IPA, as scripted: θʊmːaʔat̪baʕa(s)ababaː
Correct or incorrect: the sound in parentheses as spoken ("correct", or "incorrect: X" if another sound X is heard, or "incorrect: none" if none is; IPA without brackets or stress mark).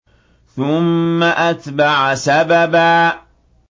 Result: correct